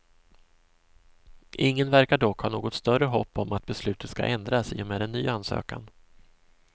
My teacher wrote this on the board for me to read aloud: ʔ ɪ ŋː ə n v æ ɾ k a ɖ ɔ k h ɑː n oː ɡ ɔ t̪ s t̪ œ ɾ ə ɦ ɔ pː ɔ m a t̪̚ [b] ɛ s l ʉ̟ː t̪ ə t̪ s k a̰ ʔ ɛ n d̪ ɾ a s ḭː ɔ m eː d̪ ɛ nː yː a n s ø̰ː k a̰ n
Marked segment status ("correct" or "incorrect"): correct